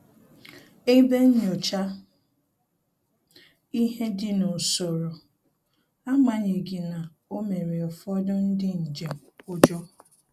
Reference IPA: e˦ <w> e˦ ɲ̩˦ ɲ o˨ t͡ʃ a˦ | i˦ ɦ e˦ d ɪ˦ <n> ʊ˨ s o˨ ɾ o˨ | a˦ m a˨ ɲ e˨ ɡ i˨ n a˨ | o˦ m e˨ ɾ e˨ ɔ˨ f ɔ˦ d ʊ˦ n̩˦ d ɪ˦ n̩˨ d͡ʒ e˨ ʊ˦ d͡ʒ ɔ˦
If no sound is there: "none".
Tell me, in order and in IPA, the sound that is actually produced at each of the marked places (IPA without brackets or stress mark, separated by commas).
b, n